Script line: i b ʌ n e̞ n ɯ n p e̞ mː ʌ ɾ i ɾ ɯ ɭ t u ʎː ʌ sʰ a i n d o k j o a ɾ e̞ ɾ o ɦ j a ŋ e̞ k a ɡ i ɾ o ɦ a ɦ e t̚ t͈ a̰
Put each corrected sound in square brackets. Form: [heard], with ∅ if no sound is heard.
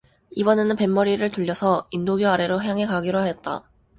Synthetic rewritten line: i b ʌ n e̞ n ɯ n p e̞ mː ʌ ɾ i ɾ ɯ ɭ t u ʎː ʌ sʰ [ʌ] i n d o [ɡ] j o a ɾ e̞ ɾ o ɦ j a ŋ e̞ k a ɡ i ɾ o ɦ a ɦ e t̚ t͈ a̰